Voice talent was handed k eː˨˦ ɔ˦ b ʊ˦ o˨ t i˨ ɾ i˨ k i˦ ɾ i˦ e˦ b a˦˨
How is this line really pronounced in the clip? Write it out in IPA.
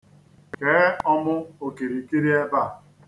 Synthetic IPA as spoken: k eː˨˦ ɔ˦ m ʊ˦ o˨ k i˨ ɾ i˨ k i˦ ɾ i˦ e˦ b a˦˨